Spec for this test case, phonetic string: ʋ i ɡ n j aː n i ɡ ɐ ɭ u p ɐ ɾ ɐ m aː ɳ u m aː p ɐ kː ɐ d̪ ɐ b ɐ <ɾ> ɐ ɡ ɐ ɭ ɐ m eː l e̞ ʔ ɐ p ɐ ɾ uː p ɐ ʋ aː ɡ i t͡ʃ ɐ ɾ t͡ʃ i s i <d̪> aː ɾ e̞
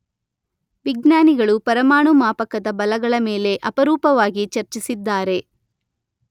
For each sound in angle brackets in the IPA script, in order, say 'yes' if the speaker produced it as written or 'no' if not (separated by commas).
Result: no, no